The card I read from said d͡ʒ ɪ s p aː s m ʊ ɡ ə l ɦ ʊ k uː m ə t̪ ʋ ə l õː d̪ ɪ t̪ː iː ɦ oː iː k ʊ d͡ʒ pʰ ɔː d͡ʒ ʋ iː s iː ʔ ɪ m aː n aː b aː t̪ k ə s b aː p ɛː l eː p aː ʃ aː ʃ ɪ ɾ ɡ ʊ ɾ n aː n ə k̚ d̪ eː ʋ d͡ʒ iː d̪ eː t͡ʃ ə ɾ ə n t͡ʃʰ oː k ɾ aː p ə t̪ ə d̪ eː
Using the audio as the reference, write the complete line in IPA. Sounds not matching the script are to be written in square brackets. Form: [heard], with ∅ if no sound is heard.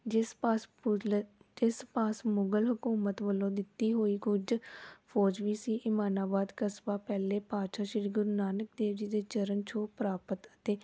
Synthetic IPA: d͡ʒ ɪ s p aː s m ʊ ɡ ə l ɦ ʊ k uː m ə t̪ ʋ ə l õː d̪ ɪ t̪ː iː ɦ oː iː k ʊ d͡ʒ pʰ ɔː d͡ʒ ʋ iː s iː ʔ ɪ m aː n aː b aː [d̪] k ə s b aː p ɛː l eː p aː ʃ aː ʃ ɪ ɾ ɡ ʊ ɾ n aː n ə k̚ d̪ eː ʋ d͡ʒ iː d̪ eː t͡ʃ ə ɾ ə n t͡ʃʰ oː [p] ɾ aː p ə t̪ ə [t̪] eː